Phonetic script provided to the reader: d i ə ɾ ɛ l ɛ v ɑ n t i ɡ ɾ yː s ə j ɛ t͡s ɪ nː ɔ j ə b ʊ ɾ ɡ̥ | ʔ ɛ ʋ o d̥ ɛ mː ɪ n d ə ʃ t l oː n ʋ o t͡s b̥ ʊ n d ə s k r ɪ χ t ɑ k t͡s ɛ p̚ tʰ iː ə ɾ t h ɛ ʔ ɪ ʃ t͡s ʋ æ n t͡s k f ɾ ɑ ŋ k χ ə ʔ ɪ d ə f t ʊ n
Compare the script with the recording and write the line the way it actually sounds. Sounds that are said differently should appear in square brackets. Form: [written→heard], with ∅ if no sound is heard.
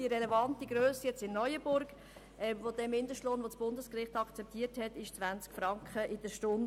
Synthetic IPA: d i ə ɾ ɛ l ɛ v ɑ n t i ɡ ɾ [yː→øː] s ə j ɛ t͡s ɪ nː ɔ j ə b ʊ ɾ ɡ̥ | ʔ ɛ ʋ o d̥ ɛ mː ɪ n d ə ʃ t l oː n ʋ o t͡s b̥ ʊ n d ə s k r ɪ χ t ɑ k t͡s ɛ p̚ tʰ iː ə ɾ t h ɛ [ʔ→t] ɪ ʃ t͡s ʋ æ n t͡s k f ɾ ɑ ŋ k χ ə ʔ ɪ d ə [f→ʃ] t ʊ n